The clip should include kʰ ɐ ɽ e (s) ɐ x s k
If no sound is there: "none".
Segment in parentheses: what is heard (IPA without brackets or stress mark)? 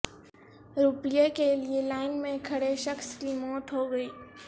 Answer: ʃ